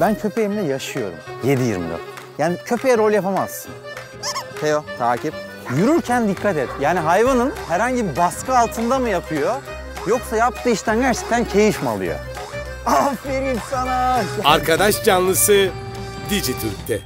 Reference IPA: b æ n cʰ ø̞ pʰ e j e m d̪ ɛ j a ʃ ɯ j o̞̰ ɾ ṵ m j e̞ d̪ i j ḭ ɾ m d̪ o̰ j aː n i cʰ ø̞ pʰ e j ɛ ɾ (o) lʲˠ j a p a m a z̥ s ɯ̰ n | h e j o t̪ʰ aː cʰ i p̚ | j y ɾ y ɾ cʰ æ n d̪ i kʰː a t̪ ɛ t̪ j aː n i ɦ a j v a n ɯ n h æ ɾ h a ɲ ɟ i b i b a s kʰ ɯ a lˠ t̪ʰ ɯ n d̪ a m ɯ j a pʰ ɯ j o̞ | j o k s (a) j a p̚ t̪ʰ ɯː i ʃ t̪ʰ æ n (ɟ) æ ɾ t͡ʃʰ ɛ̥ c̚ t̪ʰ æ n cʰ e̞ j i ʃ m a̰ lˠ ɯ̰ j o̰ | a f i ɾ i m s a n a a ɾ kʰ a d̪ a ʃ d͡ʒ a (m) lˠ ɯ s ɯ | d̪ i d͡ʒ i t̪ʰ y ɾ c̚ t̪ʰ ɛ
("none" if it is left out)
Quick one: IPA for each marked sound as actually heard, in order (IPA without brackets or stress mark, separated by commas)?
o, a, ɟ, n